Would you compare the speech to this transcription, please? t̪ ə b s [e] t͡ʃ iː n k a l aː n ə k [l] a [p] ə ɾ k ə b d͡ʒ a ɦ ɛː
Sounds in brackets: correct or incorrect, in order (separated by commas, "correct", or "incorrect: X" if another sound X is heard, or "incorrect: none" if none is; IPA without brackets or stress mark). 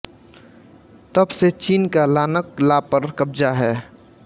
correct, correct, correct